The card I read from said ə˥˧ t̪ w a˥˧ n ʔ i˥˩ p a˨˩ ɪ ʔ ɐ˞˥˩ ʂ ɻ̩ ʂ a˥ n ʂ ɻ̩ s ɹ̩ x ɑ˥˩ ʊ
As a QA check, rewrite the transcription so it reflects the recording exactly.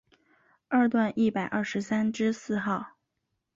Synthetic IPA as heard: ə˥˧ t̪ w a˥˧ n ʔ i˥˩ p a˨˩ ɪ ʔ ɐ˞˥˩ ʂ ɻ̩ s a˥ n ʈ͡ʂ ɻ̩ s ɹ̩ x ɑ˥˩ ʊ